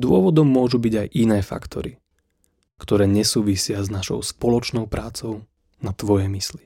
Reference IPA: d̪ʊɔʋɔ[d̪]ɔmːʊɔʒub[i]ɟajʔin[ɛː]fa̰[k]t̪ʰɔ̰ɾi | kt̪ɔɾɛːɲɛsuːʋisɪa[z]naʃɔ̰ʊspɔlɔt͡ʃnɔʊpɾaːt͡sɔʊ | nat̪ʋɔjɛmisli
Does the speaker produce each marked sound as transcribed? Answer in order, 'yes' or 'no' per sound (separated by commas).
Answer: yes, yes, yes, yes, yes